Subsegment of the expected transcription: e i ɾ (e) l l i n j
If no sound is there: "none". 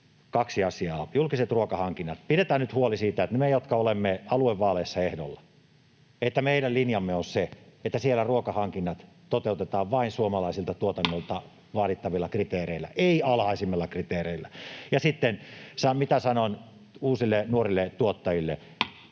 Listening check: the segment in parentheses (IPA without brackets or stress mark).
æ